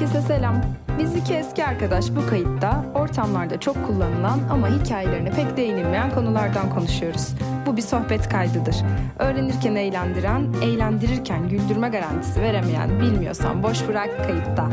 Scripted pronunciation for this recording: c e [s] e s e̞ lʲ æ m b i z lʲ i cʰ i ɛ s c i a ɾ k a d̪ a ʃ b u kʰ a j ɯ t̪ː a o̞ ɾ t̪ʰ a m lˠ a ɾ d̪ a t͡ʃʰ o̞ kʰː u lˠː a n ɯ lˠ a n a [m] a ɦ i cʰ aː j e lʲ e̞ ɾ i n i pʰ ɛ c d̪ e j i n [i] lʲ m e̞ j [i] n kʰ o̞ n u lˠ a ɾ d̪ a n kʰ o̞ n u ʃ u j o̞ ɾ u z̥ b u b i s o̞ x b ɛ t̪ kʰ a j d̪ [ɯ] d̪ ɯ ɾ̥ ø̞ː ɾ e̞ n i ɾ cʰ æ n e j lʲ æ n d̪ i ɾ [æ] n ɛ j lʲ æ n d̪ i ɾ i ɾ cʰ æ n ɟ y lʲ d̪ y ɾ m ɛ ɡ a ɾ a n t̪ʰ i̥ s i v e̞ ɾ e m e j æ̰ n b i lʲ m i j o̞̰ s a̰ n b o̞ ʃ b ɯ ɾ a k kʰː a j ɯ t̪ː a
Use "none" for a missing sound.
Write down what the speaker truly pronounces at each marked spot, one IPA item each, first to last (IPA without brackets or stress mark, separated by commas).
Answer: s, m, i, æ, ɯ, æ